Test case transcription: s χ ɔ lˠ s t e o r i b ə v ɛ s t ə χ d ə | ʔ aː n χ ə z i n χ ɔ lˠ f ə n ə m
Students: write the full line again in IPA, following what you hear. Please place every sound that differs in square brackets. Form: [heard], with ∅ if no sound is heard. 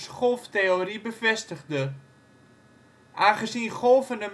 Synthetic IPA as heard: s χ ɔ lˠ [f] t e o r i b ə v ɛ s t ə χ d ə | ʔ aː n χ ə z i n χ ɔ lˠ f ə n ə m